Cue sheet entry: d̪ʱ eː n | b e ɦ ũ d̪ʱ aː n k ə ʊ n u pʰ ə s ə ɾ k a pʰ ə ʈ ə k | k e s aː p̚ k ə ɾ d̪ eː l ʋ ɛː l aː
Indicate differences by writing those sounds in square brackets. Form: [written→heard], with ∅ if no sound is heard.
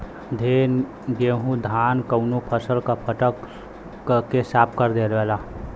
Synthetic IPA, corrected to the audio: d̪ʱ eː n | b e ɦ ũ d̪ʱ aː n k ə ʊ n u pʰ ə s ə [ɾ→l] k a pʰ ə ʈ ə k | k e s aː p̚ k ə ɾ d̪ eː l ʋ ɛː l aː